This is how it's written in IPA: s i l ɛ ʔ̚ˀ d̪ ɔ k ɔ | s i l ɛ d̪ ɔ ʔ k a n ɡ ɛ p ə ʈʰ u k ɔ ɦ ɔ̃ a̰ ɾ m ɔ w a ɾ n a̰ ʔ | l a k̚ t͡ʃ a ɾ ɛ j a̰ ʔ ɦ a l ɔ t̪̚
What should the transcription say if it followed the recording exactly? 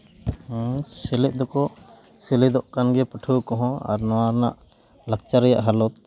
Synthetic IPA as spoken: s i l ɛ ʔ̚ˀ d̪ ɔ k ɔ | s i l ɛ d̪ ɔ ʔ k a n ɡ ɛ p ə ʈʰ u k ɔ ɦ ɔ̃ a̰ ɾ n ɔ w a ɾ n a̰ ʔ | l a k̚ t͡ʃ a ɾ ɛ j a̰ ʔ ɦ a l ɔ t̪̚